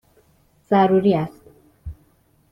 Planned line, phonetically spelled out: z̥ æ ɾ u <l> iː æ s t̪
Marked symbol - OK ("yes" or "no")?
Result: no